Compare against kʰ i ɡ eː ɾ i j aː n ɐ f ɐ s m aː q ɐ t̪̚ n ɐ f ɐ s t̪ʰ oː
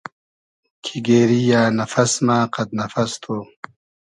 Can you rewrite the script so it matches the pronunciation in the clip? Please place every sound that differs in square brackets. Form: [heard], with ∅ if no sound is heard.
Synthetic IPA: kʰ i ɡ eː ɾ i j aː n ɐ f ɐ s m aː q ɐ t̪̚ n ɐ f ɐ s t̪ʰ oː